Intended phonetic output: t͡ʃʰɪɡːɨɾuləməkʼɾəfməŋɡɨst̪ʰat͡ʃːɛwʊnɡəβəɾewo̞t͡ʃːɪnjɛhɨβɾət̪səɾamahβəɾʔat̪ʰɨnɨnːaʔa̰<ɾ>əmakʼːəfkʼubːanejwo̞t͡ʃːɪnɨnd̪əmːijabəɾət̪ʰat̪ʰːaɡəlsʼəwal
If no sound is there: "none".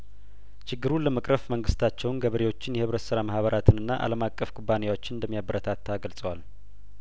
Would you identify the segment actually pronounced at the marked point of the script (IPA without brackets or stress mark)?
l